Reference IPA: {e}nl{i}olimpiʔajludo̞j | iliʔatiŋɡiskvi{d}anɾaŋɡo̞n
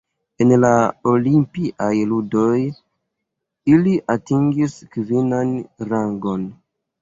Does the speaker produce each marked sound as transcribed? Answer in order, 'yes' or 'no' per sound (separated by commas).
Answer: yes, no, no